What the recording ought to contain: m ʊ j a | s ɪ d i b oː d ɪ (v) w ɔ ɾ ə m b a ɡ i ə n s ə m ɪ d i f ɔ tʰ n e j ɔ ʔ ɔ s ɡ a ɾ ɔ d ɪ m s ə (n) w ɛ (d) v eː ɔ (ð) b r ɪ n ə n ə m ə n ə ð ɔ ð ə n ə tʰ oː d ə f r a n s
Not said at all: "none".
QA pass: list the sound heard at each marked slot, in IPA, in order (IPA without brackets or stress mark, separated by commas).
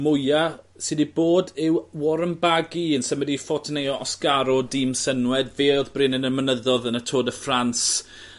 w, n, d, ð